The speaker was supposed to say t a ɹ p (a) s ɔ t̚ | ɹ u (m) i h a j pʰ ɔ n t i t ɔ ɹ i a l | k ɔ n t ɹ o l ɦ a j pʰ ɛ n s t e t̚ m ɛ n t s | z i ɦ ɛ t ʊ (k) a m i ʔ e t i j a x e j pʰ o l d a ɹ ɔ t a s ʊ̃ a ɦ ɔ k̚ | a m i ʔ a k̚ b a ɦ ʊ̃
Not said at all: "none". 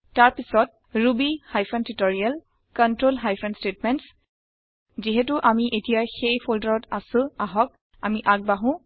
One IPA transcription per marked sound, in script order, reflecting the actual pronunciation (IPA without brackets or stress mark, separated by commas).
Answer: i, b, ʔ